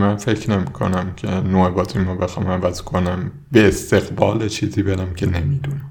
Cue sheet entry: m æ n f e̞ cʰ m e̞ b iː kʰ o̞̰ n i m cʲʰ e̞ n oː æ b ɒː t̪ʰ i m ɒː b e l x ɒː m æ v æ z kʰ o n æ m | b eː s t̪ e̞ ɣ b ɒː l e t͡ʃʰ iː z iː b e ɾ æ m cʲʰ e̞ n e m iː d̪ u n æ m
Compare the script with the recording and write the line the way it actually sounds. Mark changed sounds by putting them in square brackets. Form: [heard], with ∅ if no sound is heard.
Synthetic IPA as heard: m æ n f e̞ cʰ [n] e̞ [m] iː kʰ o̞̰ n [æ] m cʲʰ e̞ n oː [e] b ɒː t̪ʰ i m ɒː b e [∅] x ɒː m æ v æ z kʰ o n æ m | b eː s t̪ e̞ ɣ b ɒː l e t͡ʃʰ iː z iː b e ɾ æ m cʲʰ e̞ n e m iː d̪ u n æ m